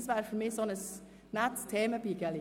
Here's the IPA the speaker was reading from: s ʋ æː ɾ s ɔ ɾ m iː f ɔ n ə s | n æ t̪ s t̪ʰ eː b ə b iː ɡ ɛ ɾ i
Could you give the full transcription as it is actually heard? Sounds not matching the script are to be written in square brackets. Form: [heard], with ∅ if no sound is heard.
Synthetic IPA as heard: s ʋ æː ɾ [f] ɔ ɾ m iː [s] ɔ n ə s | n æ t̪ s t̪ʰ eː [m] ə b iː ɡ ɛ [l] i

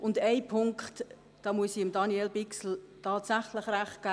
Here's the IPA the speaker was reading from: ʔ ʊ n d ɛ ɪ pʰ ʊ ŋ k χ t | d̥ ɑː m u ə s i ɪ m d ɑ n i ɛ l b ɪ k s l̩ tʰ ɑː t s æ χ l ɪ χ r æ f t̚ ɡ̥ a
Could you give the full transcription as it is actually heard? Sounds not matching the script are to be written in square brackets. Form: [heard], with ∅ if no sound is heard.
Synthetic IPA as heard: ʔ ʊ n d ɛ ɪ pʰ ʊ ŋ k χ t | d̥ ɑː m u ə s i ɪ m d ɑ n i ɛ l b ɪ k s l̩ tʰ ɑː t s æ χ l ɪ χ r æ [χ] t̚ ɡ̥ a

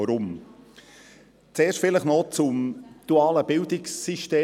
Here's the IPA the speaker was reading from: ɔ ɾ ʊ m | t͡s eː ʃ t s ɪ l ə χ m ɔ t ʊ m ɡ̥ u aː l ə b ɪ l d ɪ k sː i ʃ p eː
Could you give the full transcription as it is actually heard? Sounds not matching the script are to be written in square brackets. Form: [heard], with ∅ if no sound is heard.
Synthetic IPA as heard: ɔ ɾ ʊ m | t͡s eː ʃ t [f] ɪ l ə χ [n] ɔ [t͡s] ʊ m [d̥] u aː l ə b ɪ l d ɪ k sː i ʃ [t] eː

